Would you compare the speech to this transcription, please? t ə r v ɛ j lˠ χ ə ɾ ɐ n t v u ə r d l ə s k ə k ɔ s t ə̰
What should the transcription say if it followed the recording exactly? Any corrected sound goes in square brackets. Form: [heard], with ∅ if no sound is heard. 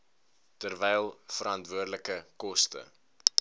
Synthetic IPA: t ə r v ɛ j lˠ [f] ə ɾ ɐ n t v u ə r d l ə [∅] k ə k ɔ s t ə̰